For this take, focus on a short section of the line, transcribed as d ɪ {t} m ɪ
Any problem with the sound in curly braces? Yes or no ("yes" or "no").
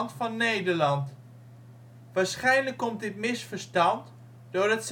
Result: no